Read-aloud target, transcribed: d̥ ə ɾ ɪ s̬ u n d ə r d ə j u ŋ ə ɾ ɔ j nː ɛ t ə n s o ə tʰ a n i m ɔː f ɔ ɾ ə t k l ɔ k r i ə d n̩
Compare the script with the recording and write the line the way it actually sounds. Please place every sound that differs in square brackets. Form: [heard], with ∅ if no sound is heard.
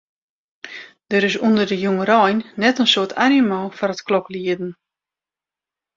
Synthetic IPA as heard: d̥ ə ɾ ɪ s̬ u n d ə r d ə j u ŋ ə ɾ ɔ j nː ɛ t ə n s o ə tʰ a n i m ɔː f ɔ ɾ ə t k l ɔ k [l] i ə d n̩